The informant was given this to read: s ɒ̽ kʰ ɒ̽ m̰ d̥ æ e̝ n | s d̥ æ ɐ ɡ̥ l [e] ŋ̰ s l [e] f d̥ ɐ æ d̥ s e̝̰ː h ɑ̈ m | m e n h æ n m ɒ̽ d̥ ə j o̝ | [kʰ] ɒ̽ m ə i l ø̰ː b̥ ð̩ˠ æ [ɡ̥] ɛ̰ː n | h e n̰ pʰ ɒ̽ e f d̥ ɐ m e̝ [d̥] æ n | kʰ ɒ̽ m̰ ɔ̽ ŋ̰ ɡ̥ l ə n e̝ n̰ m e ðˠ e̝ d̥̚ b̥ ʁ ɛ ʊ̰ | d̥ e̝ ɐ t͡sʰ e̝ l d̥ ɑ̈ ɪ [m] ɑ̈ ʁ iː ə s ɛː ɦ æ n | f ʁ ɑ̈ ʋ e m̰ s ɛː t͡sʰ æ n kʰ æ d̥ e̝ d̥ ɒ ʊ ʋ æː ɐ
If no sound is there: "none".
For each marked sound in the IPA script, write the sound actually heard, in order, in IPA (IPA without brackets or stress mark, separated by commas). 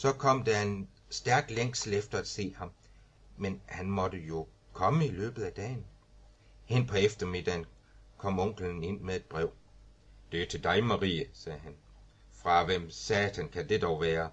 e, e, kʰ, d̥, d̥, m